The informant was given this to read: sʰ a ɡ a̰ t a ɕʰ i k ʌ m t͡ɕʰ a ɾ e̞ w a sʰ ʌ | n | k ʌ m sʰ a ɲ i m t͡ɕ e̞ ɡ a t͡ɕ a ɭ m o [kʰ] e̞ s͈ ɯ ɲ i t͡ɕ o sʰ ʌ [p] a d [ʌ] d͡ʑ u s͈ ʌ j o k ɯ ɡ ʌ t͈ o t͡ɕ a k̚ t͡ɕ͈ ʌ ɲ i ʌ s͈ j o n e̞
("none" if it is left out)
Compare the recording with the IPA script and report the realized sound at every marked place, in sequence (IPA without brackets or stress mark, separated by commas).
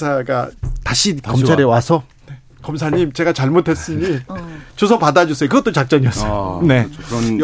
tʰ, p, a